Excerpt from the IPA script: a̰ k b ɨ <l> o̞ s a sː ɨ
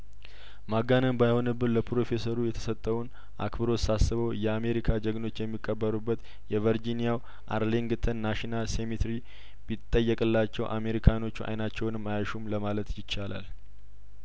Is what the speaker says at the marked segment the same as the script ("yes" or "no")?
no